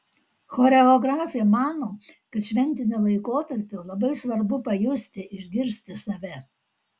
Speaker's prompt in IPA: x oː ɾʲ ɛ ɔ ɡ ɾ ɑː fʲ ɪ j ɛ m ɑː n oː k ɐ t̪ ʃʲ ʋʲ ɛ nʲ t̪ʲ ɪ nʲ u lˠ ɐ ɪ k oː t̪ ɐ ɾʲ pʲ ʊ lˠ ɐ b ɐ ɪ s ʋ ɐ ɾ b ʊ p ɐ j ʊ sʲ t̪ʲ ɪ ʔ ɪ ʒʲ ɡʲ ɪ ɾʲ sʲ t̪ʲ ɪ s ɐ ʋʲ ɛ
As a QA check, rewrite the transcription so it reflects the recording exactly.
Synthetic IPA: x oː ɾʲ ɛ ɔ ɡ ɾ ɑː fʲ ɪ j ɛ m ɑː n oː k ɐ t̪ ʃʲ ʋʲ ɛ nʲ t̪ʲ ɪ nʲ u lˠ ɐ ɪ k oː t̪ ɐ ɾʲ pʲ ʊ lˠ ɐ b ɐ ɪ s ʋ ɐ ɾ b ʊ p ɐ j ʊ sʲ t̪ʲ ɪ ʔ ɪ ʒʲ ɡʲ ɪ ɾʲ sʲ t̪ʲ ɪ s ɐ ʋʲ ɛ